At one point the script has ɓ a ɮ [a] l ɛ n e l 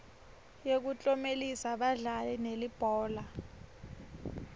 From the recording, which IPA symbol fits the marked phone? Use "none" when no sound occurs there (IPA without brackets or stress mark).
a